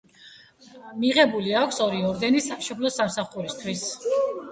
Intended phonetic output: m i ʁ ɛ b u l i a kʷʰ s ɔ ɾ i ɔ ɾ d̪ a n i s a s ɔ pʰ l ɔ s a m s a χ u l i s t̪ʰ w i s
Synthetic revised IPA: m i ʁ ɛ b u l i a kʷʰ s ɔ ɾ i ɔ ɾ d̪ ɛ n i s a ʃ ɔ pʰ l ɔ s a m s a χ u ɾ i s t̪ʰ w i s